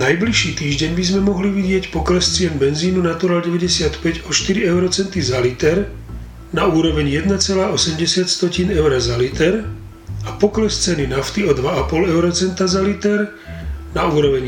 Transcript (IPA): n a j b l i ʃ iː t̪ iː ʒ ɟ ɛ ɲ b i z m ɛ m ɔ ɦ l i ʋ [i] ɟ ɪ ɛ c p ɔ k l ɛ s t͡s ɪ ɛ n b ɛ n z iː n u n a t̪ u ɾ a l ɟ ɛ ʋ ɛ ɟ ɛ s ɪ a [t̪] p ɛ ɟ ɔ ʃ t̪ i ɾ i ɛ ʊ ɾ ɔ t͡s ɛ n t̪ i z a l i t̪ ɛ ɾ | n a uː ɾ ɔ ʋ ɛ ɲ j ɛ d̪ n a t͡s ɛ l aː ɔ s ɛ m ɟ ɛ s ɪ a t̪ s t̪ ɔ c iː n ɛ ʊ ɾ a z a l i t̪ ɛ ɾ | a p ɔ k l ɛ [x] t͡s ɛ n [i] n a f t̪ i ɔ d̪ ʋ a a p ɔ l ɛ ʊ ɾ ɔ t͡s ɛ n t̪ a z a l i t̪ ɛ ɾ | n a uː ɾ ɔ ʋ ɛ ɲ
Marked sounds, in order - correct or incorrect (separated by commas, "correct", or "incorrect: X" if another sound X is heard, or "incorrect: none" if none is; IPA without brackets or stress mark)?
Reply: correct, correct, incorrect: s, correct